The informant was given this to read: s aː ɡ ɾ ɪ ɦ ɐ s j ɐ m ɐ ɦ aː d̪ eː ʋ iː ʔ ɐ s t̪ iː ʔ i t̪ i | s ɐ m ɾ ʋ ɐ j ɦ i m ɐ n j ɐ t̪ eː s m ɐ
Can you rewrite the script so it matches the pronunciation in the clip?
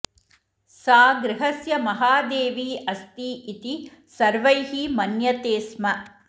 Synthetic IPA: s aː ɡ ɾ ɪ ɦ ɐ s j ɐ m ɐ ɦ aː d̪ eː ʋ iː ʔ ɐ s t̪ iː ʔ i t̪ i | s ɐ ɾ ʋ ɐ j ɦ i m ɐ n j ɐ t̪ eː s m ɐ